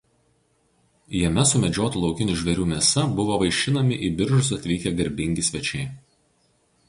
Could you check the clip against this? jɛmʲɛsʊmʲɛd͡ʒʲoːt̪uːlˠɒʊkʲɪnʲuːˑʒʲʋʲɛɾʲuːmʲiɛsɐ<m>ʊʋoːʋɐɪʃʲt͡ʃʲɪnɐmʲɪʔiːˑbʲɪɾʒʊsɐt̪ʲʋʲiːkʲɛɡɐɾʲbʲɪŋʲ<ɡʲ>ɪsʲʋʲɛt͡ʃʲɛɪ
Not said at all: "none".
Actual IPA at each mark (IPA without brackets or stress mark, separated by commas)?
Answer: b, ɡʲ